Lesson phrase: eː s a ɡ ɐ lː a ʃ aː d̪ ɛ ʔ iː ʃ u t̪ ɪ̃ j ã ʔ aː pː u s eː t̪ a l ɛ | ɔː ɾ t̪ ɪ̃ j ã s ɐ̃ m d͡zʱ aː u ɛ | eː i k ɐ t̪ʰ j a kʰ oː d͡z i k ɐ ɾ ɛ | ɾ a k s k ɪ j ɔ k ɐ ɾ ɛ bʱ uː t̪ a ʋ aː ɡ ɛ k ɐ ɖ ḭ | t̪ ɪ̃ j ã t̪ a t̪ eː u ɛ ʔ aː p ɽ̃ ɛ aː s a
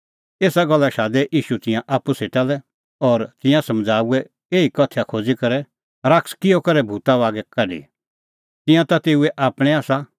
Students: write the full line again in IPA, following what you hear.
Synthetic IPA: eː s a ɡ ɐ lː a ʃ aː d̪ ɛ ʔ iː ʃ u t̪ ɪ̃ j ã ʔ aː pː u s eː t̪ a l ɛ | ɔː ɾ t̪ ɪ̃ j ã s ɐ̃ m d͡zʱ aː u ɛ | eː i k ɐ t̪ʰ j a kʰ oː d͡z i k ɐ ɾ ɛ | ɾ a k s k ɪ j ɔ k ɐ ɾ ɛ bʱ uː t̪ a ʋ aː ɡ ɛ k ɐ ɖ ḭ | t̪ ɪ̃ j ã t̪ a t̪ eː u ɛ ʔ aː p ɽ̃ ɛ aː s a